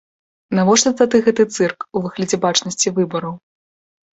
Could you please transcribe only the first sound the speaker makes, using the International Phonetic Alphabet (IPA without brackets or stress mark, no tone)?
n